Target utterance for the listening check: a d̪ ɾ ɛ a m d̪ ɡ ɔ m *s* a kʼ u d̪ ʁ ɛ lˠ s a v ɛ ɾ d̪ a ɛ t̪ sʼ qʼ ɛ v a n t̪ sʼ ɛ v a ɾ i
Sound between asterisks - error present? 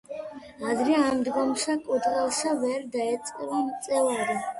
no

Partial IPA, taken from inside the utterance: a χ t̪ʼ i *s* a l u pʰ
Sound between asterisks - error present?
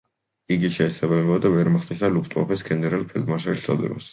no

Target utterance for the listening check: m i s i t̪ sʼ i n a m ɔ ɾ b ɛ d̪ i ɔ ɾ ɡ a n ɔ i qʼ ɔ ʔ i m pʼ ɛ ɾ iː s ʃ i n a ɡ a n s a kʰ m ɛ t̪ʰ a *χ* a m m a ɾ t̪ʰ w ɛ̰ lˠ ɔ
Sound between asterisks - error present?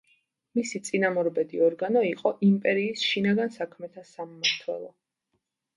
yes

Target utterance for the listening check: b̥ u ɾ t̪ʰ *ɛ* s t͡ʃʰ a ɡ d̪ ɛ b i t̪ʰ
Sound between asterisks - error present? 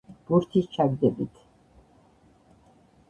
yes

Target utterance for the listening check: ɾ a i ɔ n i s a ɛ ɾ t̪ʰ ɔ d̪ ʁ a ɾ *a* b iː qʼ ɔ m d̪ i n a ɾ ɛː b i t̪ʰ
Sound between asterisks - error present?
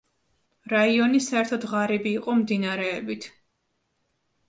yes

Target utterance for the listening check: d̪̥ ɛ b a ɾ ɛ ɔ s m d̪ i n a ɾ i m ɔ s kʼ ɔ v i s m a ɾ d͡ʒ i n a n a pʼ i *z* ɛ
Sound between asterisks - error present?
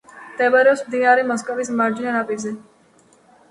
no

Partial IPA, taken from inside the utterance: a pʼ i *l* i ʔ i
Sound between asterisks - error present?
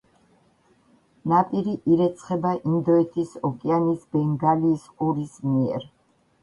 yes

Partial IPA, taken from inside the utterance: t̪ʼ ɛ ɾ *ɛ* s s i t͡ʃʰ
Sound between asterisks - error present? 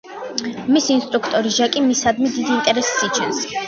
no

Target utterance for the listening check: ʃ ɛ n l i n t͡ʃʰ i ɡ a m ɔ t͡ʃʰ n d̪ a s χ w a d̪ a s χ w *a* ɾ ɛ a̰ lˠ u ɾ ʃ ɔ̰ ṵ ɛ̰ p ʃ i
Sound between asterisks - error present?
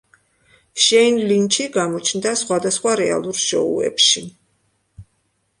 no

